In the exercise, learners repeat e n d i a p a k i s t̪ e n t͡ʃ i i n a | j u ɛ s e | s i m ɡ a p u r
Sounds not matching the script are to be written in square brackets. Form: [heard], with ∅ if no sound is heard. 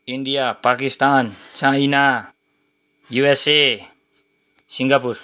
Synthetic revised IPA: [i] n d i a p a k i s t̪ [a] n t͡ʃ [a] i n a | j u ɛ s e | s i [ŋ] ɡ a p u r